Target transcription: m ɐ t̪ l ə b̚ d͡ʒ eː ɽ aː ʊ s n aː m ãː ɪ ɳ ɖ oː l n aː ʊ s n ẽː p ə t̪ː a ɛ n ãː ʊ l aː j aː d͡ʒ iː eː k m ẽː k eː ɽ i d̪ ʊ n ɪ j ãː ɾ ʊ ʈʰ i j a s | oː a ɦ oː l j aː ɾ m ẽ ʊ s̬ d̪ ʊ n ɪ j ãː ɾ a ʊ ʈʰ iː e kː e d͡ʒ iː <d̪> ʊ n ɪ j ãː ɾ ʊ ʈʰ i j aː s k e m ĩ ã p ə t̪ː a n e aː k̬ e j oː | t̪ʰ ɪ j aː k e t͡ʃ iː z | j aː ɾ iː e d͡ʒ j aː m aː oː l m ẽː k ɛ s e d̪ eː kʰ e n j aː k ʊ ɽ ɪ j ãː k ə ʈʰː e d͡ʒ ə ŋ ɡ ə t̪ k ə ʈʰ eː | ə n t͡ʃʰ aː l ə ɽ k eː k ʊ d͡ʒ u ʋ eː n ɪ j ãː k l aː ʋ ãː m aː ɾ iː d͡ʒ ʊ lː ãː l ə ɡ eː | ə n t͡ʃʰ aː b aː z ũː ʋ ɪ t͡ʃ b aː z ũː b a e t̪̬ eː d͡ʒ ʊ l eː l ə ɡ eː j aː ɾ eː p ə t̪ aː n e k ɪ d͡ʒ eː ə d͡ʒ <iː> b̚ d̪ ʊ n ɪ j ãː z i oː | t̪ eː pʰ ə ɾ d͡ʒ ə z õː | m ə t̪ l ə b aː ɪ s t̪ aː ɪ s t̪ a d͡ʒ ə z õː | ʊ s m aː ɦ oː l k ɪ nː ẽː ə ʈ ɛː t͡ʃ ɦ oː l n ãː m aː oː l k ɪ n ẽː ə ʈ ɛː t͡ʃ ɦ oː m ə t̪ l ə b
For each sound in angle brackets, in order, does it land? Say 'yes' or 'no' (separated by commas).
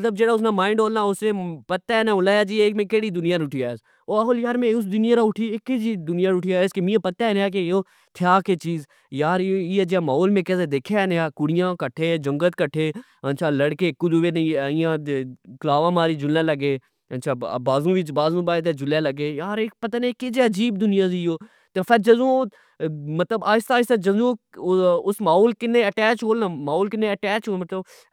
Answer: yes, yes